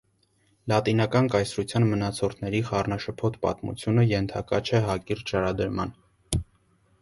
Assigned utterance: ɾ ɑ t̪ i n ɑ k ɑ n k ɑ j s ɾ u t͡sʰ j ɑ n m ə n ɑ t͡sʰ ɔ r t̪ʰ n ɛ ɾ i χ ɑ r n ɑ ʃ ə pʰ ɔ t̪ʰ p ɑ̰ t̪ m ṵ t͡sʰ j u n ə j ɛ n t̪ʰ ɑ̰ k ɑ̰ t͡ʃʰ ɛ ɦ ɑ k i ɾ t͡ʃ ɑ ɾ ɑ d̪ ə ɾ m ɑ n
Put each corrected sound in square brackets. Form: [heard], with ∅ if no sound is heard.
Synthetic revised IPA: [l] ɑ t̪ i n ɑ k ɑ n k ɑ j s ɾ u t͡sʰ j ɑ n m ə n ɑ t͡sʰ ɔ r t̪ʰ n ɛ ɾ i χ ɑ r n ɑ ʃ ə pʰ ɔ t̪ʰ p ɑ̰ t̪ m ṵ t͡sʰ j u n ə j ɛ n t̪ʰ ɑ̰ k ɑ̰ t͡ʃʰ ɛ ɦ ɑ k i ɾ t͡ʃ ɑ ɾ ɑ d̪ ə ɾ m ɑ n